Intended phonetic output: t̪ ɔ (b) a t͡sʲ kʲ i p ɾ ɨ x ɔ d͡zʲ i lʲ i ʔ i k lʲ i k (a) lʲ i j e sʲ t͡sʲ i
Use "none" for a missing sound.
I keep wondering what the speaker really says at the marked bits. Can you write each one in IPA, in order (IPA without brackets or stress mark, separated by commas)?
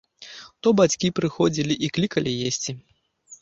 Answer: b, ɐ